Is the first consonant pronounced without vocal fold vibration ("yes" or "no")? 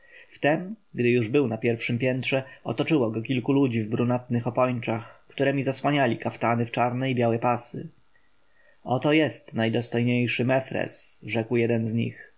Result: yes